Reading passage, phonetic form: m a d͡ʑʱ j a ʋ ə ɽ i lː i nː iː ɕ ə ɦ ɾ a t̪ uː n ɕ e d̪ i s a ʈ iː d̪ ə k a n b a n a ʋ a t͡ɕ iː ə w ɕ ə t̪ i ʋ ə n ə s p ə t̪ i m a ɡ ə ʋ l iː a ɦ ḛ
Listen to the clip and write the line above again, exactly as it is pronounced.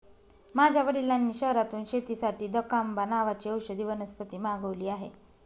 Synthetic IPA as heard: m a d͡ʑʱ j a ʋ ə ɽ i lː a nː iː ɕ ə ɦ ɾ a t̪ uː n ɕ e t̪ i s a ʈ iː d̪ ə k a m b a n a ʋ a t͡ɕ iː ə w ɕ ə d̪ i ʋ ə n ə s p ə t̪ iː m a ɡ ə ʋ l iː a ɦ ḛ